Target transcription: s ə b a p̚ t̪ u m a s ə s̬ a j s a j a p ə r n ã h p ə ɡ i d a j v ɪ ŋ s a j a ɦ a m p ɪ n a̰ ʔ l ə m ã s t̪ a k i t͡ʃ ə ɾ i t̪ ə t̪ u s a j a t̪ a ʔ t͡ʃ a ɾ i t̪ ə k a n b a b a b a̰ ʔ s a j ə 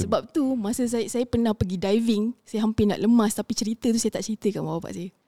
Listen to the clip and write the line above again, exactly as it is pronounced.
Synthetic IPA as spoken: s ə b a p̚ t̪ u m a s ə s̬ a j s a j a p ə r n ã h p ə ɡ i d a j v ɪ ŋ s a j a ɦ a m p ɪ n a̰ ʔ l ə m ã s t̪ a p i t͡ʃ ə ɾ i t̪ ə t̪ u s a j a t̪ a ʔ t͡ʃ ə ɾ i t̪ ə k a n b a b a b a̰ ʔ s a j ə